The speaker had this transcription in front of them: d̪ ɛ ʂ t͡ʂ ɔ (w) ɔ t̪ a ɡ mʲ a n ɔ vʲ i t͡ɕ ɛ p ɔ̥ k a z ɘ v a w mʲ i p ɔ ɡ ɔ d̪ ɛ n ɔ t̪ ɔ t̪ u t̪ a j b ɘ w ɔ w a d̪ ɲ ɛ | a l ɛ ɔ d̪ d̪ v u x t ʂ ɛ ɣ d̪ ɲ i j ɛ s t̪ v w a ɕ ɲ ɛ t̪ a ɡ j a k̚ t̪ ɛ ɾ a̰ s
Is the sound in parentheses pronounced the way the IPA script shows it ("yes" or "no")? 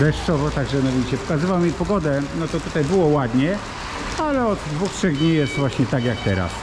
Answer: no